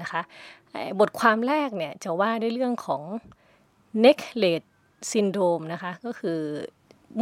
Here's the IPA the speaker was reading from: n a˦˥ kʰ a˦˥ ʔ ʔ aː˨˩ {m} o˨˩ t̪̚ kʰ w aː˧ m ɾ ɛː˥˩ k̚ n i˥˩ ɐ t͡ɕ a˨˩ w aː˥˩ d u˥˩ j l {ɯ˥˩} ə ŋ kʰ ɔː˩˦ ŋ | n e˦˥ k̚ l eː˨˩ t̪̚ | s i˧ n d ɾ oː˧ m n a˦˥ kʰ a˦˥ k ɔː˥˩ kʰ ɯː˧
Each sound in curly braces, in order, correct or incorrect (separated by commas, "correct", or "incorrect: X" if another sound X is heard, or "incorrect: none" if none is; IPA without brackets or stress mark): incorrect: b, correct